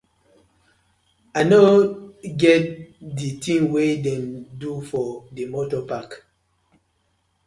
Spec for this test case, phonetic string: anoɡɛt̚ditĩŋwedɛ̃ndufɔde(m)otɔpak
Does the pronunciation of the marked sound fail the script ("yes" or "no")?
no